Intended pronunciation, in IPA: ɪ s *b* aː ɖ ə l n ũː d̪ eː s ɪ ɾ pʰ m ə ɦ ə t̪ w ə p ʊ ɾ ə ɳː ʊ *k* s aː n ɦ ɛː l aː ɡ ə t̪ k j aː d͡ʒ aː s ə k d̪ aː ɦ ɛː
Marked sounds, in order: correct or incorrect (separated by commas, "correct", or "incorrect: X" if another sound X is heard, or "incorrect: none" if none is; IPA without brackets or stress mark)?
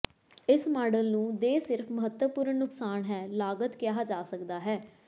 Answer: incorrect: m, correct